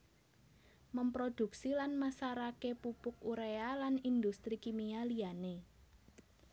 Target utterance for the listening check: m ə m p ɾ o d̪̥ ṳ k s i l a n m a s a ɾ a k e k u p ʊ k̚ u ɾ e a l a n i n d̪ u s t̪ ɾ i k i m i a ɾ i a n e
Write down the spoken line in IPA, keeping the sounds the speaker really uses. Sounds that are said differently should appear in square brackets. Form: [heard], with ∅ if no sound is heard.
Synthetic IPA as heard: m ə m p ɾ o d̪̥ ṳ k s i l a n m a s a ɾ a k e [p] u p ʊ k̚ u ɾ e a l a n i n d̪ u s t̪ ɾ i k i m i a [l] i a n e